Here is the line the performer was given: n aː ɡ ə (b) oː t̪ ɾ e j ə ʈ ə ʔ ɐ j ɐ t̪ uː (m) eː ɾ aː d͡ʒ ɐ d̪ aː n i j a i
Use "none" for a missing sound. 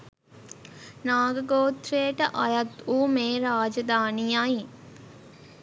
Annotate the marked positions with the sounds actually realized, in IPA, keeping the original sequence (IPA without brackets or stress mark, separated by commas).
ɡ, m